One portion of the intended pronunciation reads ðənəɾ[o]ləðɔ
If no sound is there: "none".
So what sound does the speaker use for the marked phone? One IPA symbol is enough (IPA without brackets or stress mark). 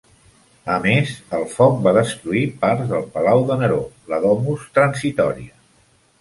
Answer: o